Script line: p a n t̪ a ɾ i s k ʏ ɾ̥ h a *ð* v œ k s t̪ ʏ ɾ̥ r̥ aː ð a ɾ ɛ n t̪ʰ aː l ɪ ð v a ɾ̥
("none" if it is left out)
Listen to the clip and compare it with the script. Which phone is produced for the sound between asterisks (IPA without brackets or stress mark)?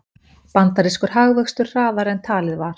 ɣ